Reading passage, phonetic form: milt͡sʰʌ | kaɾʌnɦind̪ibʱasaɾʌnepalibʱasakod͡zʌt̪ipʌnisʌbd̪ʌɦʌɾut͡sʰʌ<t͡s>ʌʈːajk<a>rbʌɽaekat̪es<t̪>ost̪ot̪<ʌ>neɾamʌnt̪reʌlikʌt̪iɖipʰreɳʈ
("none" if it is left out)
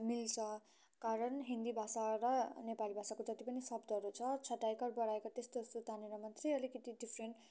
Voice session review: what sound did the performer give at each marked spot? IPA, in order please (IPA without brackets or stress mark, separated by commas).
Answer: t͡sʰ, ʌ, t̪, a